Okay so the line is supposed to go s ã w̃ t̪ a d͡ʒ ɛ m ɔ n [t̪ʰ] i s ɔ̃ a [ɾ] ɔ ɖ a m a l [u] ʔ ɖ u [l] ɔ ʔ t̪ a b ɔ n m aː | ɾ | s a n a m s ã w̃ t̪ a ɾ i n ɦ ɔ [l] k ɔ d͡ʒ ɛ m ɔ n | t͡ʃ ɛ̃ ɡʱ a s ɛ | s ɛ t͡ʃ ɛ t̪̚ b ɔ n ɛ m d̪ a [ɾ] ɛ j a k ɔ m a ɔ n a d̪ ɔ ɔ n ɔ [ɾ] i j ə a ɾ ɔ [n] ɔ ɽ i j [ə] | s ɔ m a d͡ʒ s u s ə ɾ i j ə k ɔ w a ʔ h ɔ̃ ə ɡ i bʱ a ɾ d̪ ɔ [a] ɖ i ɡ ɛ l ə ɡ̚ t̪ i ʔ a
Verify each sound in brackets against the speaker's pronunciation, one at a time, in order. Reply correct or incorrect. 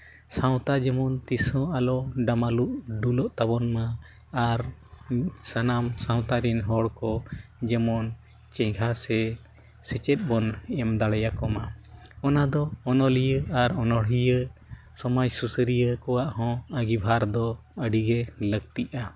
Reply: incorrect, incorrect, correct, correct, incorrect, incorrect, incorrect, correct, correct, incorrect

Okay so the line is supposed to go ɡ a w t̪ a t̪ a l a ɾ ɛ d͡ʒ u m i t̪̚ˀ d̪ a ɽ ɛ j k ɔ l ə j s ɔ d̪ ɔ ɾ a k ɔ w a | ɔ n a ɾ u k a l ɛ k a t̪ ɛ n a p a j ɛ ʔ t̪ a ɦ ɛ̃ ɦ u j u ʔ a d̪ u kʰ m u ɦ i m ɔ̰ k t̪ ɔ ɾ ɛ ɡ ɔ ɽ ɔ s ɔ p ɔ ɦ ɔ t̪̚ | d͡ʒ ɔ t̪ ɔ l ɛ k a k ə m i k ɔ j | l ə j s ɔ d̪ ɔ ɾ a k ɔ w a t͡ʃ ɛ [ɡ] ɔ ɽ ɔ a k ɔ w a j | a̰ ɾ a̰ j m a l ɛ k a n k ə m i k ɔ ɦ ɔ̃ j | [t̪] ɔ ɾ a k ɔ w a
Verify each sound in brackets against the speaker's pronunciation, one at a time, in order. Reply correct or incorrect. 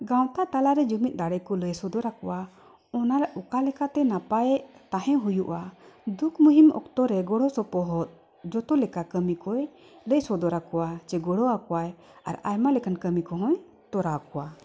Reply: correct, correct

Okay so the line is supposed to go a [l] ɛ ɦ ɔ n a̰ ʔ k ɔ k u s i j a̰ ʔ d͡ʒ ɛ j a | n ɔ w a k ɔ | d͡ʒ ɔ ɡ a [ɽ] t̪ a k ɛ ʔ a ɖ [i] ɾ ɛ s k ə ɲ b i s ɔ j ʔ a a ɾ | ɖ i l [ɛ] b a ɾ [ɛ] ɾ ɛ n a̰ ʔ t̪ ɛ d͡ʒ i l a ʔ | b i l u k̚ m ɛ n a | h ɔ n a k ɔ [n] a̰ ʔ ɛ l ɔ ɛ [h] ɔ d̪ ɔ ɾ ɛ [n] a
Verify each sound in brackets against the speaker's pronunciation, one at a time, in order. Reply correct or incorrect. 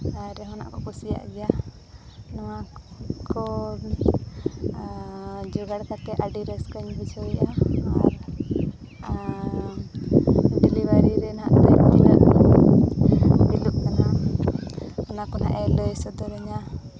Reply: incorrect, correct, correct, incorrect, incorrect, correct, incorrect, incorrect

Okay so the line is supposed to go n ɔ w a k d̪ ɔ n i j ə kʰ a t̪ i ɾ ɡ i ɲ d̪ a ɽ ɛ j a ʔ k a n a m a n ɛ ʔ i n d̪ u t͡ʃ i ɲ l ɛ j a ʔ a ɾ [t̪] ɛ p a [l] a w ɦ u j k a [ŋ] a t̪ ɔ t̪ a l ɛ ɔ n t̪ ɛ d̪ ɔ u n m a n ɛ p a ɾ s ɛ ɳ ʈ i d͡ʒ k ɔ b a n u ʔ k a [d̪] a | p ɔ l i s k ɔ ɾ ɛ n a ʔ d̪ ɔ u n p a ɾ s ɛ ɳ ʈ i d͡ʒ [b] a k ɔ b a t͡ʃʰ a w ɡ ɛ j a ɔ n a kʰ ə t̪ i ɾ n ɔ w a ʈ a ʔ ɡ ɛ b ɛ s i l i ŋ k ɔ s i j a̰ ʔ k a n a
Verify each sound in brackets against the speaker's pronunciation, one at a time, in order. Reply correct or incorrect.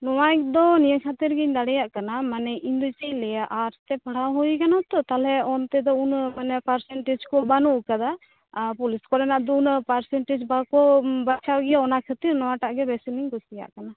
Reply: correct, incorrect, incorrect, correct, correct

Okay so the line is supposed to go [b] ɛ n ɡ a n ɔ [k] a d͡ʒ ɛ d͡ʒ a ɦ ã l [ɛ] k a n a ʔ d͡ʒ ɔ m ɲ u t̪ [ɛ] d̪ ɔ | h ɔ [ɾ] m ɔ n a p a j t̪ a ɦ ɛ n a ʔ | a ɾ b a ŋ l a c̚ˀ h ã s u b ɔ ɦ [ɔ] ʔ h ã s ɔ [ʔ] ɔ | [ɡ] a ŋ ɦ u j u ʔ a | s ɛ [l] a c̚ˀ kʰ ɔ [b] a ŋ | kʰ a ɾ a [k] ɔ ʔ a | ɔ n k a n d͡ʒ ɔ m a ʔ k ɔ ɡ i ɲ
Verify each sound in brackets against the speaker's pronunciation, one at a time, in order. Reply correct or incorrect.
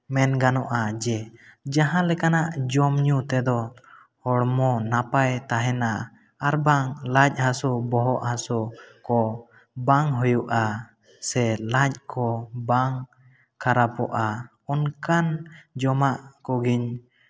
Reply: incorrect, incorrect, correct, correct, incorrect, correct, incorrect, incorrect, correct, correct, incorrect

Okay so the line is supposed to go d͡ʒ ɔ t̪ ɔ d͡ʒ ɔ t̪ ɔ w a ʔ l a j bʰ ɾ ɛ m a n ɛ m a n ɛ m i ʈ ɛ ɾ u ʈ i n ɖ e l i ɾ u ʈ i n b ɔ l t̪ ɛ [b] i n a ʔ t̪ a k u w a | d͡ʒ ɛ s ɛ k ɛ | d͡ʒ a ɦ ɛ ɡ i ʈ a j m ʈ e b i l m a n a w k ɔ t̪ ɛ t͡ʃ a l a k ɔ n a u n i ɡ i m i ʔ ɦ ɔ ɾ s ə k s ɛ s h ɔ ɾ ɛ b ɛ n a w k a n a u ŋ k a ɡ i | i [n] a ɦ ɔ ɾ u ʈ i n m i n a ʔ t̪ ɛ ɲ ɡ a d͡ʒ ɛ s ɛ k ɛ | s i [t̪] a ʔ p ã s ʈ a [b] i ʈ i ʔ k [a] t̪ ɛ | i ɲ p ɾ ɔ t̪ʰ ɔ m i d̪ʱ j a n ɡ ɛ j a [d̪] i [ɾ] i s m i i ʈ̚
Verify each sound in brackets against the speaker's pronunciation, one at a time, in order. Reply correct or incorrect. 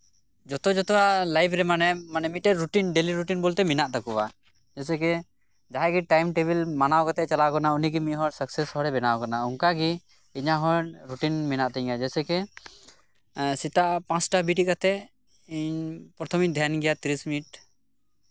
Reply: incorrect, incorrect, correct, correct, correct, incorrect, correct

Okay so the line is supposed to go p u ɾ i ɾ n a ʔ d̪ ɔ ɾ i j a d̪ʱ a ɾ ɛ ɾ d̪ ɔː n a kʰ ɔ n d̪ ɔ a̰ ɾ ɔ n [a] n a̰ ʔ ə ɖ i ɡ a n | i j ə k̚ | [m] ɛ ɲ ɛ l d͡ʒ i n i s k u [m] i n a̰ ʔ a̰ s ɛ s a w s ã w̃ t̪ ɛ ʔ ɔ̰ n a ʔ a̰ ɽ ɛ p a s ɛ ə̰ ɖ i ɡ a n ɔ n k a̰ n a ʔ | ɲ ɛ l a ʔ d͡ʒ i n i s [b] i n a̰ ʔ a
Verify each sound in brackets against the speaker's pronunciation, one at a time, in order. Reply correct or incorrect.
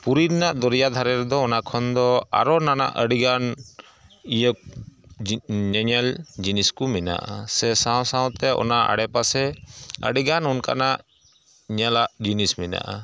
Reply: correct, incorrect, correct, incorrect

